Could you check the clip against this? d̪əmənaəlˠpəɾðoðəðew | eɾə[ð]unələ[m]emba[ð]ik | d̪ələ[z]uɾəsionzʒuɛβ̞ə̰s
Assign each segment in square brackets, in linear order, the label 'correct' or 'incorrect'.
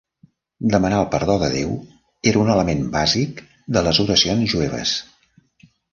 incorrect: none, correct, incorrect: z, correct

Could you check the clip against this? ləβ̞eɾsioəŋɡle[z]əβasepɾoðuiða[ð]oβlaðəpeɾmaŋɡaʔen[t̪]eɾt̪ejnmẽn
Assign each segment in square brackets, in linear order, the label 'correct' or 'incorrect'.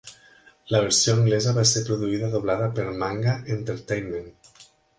correct, correct, correct

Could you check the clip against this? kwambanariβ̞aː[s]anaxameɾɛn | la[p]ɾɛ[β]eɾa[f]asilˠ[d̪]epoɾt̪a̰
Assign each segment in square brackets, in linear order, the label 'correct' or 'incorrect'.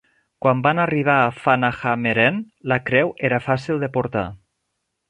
incorrect: f, incorrect: k, incorrect: w, correct, correct

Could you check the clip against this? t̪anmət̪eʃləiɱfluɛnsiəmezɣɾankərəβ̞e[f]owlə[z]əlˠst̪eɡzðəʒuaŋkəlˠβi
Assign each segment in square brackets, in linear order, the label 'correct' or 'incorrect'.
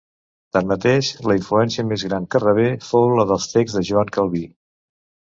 correct, incorrect: ð

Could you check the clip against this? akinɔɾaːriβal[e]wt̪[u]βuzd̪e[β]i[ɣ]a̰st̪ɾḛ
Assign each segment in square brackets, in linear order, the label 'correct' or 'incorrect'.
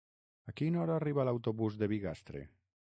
incorrect: a, incorrect: o, correct, correct

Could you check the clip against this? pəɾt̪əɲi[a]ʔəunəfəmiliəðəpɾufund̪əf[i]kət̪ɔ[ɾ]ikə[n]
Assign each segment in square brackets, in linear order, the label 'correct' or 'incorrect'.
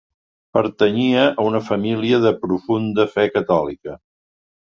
incorrect: ə, incorrect: ɛ, incorrect: l, incorrect: none

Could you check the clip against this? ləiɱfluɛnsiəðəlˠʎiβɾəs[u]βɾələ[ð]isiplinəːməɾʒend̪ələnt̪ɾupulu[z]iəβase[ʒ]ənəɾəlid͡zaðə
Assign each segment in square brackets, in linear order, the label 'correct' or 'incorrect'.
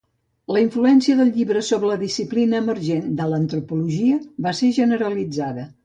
incorrect: o, correct, incorrect: ʒ, correct

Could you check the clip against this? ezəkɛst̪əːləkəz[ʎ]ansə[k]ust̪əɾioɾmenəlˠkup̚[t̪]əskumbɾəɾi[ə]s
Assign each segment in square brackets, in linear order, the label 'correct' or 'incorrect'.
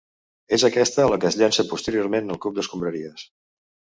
correct, incorrect: p, incorrect: d̪, correct

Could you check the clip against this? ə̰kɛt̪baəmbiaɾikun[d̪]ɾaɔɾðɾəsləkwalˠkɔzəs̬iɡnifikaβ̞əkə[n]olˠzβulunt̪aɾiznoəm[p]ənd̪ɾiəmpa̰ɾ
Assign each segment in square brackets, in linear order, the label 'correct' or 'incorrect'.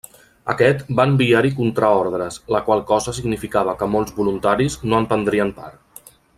incorrect: t̪, incorrect: m, correct

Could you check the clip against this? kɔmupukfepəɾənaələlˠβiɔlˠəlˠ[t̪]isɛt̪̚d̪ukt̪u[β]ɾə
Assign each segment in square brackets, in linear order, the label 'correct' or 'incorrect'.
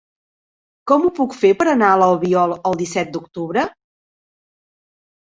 incorrect: d̪, correct

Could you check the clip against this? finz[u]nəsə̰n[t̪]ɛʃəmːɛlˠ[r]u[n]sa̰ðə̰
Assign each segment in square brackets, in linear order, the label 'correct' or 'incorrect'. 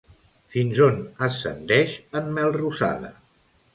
incorrect: o, incorrect: d̪, correct, incorrect: none

